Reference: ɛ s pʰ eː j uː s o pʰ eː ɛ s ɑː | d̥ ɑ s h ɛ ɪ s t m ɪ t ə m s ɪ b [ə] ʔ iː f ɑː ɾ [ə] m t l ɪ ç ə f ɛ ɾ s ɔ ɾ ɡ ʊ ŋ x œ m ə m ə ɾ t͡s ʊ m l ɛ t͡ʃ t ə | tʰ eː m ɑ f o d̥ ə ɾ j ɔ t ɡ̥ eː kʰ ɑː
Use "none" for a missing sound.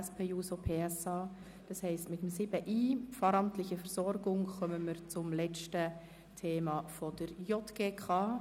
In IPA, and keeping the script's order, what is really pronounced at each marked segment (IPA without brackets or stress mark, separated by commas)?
ə, ɑ